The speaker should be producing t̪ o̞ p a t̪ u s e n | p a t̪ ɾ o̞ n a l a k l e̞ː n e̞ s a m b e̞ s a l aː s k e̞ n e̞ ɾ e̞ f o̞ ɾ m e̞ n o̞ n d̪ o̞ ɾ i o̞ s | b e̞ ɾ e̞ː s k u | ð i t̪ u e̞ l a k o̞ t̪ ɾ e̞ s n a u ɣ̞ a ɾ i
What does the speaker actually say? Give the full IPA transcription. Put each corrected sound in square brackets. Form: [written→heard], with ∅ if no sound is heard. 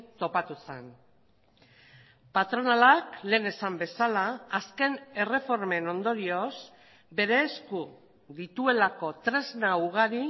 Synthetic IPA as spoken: t̪ o̞ p a t̪ u s e n | p a t̪ ɾ o̞ n a l a k l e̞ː n e̞ s a m b e̞ s a l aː s k e̞ n e̞ [ɾ→r] e̞ f o̞ ɾ m e̞ n o̞ n d̪ o̞ ɾ i o̞ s | b e̞ ɾ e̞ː s k u | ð i t̪ u e̞ l a k o̞ t̪ ɾ e̞ [s→z] n a u ɣ̞ a ɾ i